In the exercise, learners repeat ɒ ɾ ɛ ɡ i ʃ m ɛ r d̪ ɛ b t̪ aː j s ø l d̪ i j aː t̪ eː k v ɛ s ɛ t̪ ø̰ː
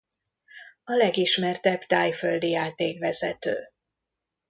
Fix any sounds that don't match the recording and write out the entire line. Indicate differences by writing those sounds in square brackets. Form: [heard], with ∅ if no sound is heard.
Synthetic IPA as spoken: ɒ [l] ɛ ɡ i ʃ m ɛ r [t̪] ɛ b t̪ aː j [f] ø l d̪ i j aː t̪ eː k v ɛ [z] ɛ t̪ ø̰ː